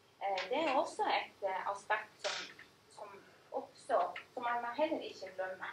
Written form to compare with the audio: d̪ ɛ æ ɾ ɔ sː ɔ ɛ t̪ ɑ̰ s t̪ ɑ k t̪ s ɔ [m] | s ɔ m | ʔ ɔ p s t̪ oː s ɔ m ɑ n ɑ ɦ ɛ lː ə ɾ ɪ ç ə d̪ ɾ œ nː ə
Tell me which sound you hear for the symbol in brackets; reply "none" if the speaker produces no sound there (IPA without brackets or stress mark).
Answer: m